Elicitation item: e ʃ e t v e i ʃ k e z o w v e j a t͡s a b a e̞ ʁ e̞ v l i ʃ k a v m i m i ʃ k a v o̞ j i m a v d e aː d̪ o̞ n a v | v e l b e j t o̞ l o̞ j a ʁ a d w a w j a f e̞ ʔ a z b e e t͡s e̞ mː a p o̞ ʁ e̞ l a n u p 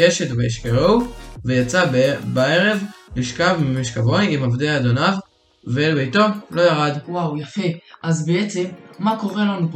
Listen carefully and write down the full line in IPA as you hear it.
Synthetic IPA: e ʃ e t v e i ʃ k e ʁ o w v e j a t͡s a b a e̞ ʁ e̞ v l i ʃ k a v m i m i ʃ k a v o̞ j i m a v d e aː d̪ o̞ n a v | v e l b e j t o̞ l o̞ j a ʁ a d w a w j a f e̞ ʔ a z b e e t͡s e̞ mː a k o̞ ʁ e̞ l a n u p